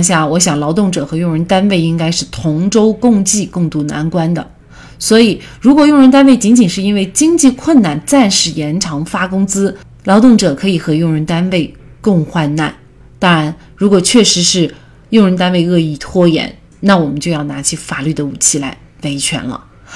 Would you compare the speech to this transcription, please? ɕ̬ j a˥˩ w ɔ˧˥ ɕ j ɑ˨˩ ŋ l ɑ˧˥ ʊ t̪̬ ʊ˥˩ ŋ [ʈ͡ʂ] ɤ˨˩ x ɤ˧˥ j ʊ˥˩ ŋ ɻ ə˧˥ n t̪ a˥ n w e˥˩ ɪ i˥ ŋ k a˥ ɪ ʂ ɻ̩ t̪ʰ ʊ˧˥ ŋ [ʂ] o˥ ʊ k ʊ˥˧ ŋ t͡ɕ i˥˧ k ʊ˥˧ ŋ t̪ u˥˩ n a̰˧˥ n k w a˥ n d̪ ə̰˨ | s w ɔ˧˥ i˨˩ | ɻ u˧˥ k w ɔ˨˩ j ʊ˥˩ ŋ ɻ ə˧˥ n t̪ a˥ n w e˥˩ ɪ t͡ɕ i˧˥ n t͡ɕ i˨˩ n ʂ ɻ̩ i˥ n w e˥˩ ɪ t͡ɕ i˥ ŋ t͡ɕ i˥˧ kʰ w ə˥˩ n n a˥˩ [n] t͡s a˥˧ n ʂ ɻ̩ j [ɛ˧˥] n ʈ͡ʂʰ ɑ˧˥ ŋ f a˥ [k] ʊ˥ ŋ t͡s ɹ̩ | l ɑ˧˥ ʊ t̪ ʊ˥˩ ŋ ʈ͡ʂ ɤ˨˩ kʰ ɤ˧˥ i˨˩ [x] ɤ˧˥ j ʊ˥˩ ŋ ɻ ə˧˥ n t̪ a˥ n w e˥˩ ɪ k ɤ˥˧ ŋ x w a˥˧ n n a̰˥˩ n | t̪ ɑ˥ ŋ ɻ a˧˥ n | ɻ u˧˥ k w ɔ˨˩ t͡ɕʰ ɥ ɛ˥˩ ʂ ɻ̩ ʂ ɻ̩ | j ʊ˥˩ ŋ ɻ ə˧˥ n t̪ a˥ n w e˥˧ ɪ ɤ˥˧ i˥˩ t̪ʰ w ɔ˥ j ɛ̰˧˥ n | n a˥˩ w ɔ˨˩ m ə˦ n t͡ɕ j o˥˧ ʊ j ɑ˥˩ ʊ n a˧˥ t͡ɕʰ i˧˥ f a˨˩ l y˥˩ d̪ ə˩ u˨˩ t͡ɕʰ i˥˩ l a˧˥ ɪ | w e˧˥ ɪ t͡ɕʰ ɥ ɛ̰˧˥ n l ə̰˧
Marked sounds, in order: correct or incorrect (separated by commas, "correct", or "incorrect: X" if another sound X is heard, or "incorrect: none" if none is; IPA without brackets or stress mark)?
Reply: correct, incorrect: ʈ͡ʂ, correct, correct, correct, correct